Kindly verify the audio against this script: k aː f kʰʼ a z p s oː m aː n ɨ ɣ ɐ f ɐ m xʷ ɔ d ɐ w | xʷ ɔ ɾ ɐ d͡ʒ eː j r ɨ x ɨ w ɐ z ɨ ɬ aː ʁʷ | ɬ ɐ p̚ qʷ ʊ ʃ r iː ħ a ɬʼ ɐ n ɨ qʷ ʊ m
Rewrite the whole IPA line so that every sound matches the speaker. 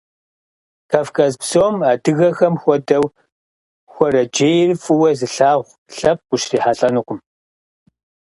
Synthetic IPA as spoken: k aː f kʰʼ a z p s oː m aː d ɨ ɣ ɐ x ɐ m xʷ ɔ d ɐ w | xʷ ɔ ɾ ɐ d͡ʒ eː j r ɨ f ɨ w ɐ z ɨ ɬ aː ʁʷ | ɬ ɐ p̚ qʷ ʊ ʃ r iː ħ a ɬʼ ɐ n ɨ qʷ ʊ m